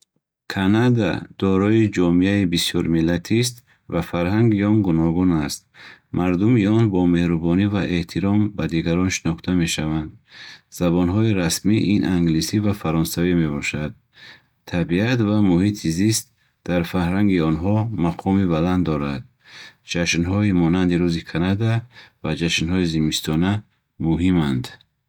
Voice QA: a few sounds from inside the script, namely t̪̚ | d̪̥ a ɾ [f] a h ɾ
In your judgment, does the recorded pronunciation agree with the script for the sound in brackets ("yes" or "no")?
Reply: yes